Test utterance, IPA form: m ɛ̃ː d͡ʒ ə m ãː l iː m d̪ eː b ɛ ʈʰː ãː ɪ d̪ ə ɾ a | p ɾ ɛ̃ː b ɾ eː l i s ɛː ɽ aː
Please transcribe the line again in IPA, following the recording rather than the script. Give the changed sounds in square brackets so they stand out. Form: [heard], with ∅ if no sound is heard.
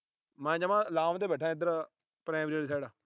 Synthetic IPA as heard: m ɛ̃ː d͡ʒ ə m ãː l [aː] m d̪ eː b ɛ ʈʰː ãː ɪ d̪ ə ɾ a | p ɾ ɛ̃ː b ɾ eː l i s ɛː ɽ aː